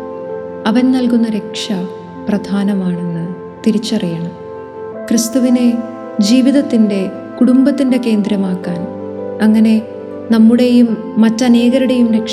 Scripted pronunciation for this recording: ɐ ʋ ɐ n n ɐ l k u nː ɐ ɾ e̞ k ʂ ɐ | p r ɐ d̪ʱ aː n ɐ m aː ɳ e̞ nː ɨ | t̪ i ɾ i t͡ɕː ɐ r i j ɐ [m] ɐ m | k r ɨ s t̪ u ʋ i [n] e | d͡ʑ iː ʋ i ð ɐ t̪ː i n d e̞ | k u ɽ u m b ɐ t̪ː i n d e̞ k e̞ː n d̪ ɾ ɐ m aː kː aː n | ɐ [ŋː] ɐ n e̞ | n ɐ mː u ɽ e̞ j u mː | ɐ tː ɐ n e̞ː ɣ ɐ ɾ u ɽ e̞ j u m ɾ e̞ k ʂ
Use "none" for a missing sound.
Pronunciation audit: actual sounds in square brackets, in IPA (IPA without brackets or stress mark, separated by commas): ɳ, n, ŋː